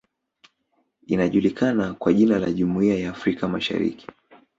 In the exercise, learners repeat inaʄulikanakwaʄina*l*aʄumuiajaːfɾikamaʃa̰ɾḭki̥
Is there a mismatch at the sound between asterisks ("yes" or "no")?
no